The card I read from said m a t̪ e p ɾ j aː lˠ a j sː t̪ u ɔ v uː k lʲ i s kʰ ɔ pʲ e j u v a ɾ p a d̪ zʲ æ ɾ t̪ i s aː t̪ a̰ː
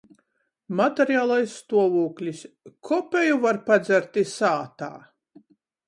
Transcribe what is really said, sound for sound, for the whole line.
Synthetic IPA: m a t̪ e ɾ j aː lˠ a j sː t̪ u ɔ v uː k lʲ i s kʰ ɔ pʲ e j u v a ɾ p a d̪ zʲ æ ɾ t̪ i s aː t̪ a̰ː

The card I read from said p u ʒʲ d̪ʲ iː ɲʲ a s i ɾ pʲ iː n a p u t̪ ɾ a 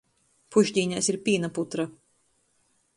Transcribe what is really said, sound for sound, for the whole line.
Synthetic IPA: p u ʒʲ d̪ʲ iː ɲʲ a s i ɾ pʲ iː n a p u t̪ ɾ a

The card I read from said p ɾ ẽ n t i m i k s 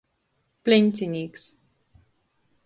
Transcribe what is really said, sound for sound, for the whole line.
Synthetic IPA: p l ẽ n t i n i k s

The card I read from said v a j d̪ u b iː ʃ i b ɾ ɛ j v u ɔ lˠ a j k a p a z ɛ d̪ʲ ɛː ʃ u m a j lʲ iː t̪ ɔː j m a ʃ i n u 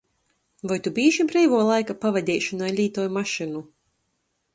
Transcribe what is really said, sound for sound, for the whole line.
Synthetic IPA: v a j t̪ u b iː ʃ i b ɾ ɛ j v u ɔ lˠ a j k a p a v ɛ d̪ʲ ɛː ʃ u n a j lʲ iː t̪ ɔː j m a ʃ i n u

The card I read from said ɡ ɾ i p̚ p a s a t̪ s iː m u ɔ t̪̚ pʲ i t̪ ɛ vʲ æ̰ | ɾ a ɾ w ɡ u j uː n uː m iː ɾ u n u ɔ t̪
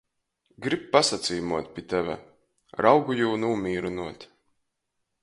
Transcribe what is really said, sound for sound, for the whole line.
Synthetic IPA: ɡ ɾ i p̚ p a s a t̪ s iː m u ɔ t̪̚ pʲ i t̪ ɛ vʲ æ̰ | ɾ a w ɡ u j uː n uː m iː ɾ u n u ɔ t̪

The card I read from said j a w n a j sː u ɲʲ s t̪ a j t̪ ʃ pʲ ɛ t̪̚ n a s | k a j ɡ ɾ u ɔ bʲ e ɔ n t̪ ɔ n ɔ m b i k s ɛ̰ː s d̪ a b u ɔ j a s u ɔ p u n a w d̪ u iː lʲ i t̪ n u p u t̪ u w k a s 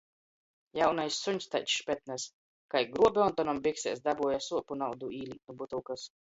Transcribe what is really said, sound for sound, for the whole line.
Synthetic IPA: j a w n a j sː u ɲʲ s t̪ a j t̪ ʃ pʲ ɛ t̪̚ n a s | k a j ɡ ɾ u ɔ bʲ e ɔ n t̪ ɔ n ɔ m b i k s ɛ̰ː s d̪ a b u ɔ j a s u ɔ p u n a w d̪ u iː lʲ i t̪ n u b u t̪ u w k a s

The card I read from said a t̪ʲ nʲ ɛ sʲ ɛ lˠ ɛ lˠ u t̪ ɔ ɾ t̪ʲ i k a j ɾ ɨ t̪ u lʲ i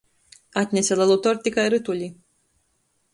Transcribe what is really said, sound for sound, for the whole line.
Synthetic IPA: a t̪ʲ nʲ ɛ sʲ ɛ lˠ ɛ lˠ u t̪ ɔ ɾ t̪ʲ i k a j ɾ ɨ t̪ u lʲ i

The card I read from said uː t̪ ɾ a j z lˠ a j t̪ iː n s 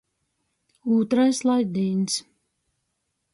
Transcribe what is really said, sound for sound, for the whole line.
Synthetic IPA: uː t̪ ɾ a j s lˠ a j d̪ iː n s

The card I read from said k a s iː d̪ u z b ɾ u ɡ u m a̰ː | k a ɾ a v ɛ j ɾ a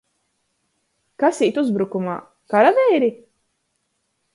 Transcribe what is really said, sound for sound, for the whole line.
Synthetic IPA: k a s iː t̪ u z b ɾ u k u m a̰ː | k a ɾ a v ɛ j ɾ i

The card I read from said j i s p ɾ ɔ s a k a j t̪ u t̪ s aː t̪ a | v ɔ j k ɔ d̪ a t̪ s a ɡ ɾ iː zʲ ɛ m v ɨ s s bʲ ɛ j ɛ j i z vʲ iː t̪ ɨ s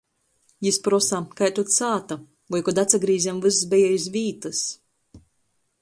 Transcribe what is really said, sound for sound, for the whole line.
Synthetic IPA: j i s p ɾ ɔ s a k a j t̪ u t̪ s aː t̪ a | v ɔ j k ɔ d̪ a t̪ s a ɡ ɾ iː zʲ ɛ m v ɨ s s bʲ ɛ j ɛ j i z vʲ iː t̪ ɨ s

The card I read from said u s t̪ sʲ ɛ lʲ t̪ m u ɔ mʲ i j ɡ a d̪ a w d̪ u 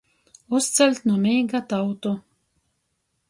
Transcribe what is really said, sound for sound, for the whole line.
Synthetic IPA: u s t̪ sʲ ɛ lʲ t̪ n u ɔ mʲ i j ɡ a t̪ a w t̪ u

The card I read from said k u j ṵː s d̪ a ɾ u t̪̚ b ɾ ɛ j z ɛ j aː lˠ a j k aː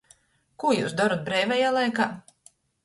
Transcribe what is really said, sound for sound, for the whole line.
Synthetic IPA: k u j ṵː s d̪ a ɾ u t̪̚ b ɾ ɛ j v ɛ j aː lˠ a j k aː

